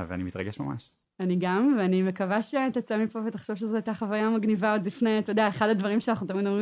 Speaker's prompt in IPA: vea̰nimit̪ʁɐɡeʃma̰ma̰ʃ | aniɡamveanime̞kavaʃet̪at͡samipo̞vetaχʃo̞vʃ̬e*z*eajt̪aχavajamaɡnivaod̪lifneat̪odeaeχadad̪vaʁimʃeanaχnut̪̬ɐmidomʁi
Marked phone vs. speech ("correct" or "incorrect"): correct